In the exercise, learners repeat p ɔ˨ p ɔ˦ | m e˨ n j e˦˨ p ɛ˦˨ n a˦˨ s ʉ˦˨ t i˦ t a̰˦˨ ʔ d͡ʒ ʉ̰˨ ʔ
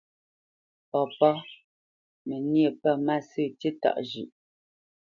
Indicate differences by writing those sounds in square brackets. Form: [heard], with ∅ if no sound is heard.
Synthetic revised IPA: p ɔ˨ p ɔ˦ | m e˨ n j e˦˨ p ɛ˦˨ [m] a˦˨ s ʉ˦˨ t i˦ t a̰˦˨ ʔ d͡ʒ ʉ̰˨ ʔ